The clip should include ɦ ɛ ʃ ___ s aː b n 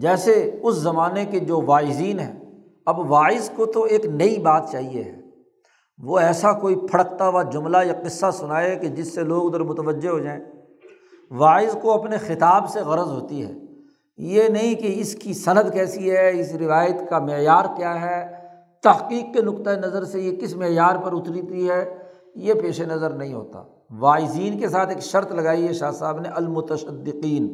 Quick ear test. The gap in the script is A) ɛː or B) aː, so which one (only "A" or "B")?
B